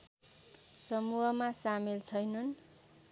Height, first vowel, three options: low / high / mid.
mid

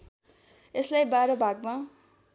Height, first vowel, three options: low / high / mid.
mid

